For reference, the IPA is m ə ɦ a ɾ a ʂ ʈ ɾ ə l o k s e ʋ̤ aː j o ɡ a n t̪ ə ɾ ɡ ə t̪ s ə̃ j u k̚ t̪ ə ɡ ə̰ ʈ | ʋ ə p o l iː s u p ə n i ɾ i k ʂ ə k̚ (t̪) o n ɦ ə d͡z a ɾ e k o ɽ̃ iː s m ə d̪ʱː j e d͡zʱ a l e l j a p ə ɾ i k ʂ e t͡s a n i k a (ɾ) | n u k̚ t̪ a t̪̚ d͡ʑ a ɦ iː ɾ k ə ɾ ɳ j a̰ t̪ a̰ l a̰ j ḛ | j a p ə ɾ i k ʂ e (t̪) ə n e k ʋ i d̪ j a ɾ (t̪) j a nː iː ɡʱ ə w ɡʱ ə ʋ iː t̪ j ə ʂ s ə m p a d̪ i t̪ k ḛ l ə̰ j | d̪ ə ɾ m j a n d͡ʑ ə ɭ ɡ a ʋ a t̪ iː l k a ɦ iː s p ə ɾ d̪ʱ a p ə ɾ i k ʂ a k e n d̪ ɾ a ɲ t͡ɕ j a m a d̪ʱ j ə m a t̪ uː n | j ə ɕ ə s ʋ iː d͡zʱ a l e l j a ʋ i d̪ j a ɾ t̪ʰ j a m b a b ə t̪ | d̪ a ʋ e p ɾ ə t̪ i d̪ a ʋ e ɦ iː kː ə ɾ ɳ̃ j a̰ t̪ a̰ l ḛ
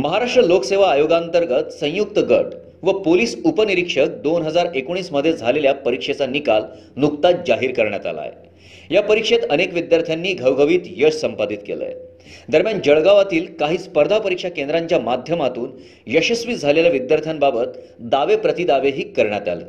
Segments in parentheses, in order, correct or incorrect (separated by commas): incorrect, incorrect, correct, incorrect